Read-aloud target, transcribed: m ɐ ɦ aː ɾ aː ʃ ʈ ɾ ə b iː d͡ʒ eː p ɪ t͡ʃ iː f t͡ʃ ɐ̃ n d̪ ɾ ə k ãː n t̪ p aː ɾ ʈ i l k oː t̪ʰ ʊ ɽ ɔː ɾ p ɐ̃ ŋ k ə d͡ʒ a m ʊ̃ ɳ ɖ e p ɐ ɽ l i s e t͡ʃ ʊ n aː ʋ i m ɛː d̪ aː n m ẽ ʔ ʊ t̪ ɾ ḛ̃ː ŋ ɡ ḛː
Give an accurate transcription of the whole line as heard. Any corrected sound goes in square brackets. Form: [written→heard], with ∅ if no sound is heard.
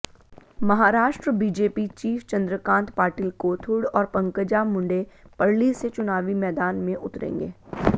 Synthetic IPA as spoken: m ɐ ɦ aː ɾ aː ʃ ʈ ɾ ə b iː d͡ʒ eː p [ɪ→i] t͡ʃ iː f t͡ʃ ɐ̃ n d̪ ɾ ə k ãː n t̪ p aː ɾ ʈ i l k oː t̪ʰ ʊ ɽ ɔː ɾ p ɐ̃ ŋ k ə d͡ʒ a m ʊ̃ ɳ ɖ e p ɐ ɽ l i s e t͡ʃ ʊ n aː ʋ i m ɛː d̪ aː n m ẽ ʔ ʊ t̪ ɾ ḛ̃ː ŋ ɡ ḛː